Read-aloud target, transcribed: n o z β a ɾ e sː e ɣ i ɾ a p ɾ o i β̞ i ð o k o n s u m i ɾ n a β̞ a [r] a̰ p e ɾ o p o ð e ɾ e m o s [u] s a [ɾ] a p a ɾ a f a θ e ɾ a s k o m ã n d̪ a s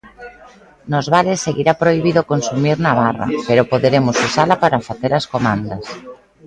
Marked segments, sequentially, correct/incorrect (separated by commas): correct, correct, incorrect